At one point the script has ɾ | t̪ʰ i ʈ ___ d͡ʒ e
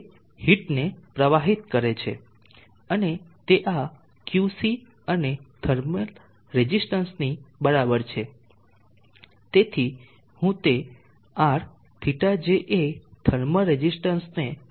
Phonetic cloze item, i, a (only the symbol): a